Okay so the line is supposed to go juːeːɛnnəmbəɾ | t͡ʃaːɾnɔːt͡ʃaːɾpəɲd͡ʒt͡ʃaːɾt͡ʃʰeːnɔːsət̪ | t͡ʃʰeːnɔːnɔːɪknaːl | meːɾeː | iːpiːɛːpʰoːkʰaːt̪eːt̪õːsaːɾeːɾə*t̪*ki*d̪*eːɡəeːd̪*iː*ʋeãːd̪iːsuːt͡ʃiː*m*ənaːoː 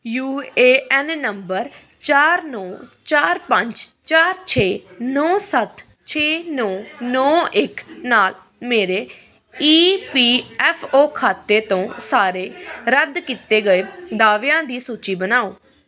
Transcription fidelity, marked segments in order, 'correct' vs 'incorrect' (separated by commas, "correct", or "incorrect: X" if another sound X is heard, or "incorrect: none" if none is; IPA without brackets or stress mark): incorrect: d̪, incorrect: t̪, incorrect: aː, incorrect: b